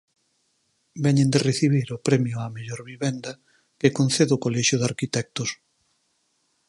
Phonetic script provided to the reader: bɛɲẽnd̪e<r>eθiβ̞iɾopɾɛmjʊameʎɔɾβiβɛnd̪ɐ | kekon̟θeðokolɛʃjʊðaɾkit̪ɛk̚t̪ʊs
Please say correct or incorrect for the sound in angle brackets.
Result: correct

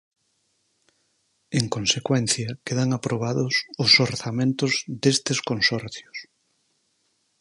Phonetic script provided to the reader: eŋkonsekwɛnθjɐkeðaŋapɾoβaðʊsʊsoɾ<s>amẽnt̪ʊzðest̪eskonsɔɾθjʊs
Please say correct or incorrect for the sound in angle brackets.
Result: incorrect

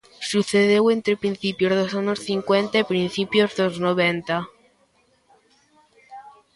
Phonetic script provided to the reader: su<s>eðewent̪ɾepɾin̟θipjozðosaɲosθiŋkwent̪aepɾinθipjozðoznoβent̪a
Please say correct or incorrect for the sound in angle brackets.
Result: incorrect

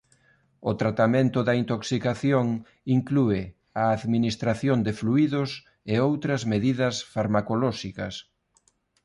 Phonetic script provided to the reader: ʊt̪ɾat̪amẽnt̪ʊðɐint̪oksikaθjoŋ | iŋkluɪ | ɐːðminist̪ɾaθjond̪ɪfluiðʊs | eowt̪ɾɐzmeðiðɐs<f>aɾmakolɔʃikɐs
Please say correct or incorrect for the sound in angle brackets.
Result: correct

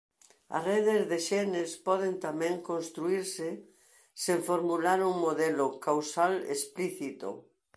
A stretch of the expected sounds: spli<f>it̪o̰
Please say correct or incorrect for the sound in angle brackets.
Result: incorrect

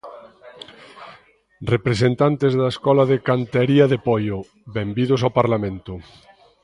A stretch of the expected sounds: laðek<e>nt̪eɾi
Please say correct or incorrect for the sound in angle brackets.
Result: incorrect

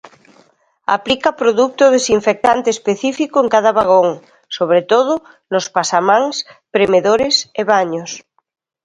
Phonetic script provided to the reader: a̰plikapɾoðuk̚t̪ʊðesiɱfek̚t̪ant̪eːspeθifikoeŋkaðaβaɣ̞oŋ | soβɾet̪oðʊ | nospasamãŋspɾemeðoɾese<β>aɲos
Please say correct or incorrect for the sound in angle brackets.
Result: correct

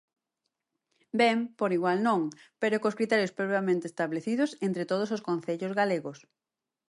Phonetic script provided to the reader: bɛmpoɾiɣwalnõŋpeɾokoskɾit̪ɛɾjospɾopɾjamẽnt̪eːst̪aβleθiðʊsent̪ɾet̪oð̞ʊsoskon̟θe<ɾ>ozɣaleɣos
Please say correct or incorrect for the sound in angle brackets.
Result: incorrect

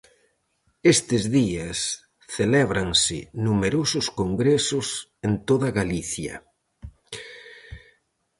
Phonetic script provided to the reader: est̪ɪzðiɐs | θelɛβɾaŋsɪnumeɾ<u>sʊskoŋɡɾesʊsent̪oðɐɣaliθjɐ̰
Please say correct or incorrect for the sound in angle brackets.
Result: incorrect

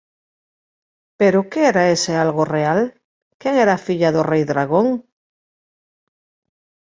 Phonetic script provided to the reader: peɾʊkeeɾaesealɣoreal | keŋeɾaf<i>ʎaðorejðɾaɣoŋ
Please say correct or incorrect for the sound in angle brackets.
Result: correct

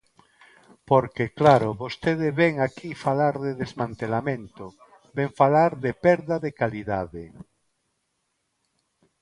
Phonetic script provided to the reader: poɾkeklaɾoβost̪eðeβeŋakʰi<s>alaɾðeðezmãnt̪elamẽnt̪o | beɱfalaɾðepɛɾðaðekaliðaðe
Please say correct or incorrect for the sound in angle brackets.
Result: incorrect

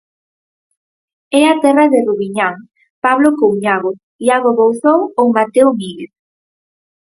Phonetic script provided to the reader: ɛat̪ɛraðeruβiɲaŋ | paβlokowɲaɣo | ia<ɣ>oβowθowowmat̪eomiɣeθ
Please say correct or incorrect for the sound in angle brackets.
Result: correct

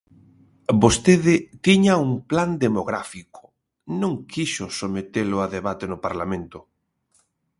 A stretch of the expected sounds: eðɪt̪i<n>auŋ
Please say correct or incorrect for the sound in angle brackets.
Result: incorrect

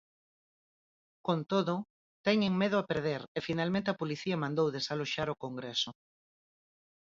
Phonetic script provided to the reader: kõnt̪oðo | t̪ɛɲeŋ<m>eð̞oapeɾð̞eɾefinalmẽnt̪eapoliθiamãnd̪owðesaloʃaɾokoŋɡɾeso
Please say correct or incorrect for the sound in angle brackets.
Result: correct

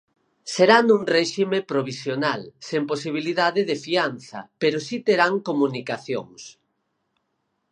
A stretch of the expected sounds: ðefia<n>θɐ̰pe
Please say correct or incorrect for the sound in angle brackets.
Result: correct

